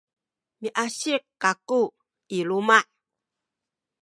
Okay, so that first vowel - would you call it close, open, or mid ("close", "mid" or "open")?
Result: close